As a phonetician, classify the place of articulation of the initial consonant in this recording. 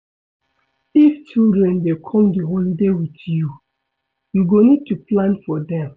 labial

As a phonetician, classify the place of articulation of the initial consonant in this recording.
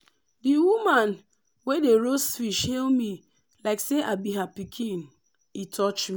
alveolar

